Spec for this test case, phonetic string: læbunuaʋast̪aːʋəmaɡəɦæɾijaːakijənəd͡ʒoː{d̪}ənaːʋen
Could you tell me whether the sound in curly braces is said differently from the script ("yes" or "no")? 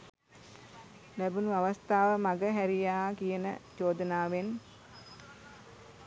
no